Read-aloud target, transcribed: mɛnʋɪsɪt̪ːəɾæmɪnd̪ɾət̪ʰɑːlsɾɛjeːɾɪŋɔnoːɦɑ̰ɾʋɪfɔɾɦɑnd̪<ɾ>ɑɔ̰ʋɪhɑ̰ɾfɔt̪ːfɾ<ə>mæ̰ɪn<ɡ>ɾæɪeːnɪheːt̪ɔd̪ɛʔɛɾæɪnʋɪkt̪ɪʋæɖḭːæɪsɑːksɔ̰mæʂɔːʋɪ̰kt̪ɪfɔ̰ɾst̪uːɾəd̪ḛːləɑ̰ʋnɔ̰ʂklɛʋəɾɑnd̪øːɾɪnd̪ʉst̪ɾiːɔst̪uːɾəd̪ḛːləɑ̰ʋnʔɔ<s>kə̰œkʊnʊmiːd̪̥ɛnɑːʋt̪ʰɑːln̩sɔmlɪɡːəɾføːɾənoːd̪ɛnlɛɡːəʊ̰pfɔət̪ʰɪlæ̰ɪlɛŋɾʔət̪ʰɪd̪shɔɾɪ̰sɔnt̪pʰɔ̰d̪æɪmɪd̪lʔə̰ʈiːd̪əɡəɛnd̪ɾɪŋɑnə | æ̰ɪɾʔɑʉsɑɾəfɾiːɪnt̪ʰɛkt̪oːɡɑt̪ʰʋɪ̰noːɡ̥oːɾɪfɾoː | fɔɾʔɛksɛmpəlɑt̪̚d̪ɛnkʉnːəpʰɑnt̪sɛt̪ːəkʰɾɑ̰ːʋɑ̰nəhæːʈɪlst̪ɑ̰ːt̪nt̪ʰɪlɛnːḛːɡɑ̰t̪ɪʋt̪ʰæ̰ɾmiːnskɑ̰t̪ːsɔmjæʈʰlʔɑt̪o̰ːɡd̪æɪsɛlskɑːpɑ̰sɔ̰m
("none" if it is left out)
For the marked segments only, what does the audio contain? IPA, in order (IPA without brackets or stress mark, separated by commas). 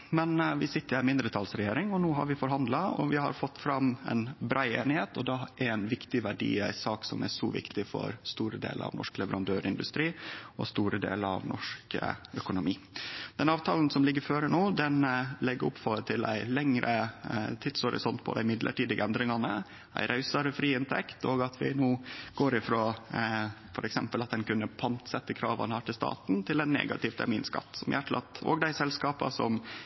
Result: l, ɑ, b, ʂ